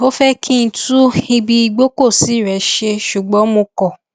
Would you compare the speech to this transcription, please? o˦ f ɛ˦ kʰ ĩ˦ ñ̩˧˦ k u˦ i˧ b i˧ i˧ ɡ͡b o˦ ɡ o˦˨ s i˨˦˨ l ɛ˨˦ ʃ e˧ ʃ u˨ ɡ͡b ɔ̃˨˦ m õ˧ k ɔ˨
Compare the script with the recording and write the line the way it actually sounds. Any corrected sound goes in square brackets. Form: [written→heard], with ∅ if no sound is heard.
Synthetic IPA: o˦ f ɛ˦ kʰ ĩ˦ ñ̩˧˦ [k→t] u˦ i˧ b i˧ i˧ ɡ͡b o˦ [ɡ→k] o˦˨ s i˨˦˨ [l→ɾ] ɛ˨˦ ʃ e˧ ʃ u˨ ɡ͡b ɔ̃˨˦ m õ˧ k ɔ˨